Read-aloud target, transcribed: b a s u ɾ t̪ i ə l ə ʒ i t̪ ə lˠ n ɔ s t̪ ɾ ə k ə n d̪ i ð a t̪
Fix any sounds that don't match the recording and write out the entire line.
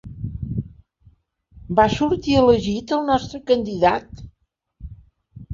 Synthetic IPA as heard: b a s u ɾ t̪ i ə l ə ʒ i t̪ ə lˠ n ɔ s t̪ ɾ ə k ə n d̪ i ð a t̪